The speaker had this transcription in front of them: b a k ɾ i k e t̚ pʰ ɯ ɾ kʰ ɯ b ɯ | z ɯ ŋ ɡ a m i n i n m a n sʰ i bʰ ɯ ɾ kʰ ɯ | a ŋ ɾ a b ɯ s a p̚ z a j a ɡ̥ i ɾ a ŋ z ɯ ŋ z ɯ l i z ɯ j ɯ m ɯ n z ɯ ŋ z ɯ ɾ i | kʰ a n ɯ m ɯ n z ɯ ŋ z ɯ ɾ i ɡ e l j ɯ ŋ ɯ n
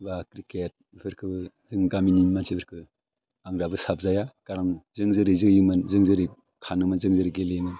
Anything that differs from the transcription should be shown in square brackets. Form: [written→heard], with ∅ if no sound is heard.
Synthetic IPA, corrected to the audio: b a k ɾ i k e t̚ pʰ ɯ ɾ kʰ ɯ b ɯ | z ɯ ŋ ɡ a m i n i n m a n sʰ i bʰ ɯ ɾ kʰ ɯ | a ŋ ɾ a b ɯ s a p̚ z a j a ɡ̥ [i→a] ɾ a ŋ z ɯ ŋ z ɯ [l→ɾ] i z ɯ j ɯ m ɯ n z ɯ ŋ z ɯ ɾ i | kʰ a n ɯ m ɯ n z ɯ ŋ z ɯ ɾ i ɡ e l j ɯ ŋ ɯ n